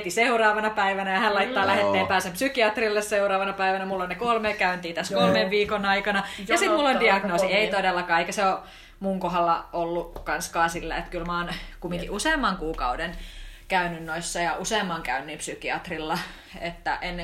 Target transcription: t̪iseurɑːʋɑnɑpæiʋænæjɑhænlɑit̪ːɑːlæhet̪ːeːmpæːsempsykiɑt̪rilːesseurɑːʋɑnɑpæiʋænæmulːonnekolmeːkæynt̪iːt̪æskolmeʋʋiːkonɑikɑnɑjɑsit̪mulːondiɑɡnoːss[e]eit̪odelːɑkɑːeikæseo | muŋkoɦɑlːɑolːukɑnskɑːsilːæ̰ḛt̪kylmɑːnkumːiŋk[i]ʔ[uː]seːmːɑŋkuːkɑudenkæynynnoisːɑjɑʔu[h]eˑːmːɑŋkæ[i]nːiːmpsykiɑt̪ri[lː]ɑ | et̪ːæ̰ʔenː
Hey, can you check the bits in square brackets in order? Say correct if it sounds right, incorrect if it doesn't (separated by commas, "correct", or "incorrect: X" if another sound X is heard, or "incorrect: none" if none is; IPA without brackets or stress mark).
incorrect: i, correct, incorrect: u, incorrect: s, incorrect: y, correct